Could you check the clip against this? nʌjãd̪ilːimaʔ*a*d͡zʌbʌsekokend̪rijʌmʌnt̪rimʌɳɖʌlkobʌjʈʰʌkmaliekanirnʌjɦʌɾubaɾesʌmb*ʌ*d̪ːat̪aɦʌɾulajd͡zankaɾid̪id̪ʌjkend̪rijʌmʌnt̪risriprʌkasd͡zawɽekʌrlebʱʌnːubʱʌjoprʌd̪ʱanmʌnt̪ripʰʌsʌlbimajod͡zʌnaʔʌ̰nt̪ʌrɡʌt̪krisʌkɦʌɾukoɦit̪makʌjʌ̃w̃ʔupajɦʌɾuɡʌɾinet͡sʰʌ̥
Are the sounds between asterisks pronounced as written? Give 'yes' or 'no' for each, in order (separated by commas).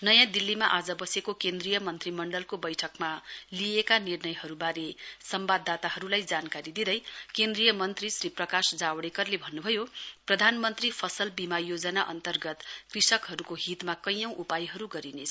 yes, no